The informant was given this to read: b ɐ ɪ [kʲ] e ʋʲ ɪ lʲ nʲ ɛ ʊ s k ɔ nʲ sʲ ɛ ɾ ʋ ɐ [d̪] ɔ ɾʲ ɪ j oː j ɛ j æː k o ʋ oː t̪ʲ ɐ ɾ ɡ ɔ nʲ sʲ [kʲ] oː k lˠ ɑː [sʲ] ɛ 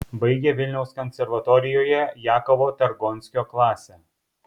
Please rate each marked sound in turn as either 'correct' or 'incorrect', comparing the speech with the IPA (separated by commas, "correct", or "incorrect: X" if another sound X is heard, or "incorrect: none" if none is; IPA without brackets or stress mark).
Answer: incorrect: ɡʲ, incorrect: t̪, correct, correct